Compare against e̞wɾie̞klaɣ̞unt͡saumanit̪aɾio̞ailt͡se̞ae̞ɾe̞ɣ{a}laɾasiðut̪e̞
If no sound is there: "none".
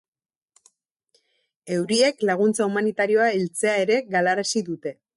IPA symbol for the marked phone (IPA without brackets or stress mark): a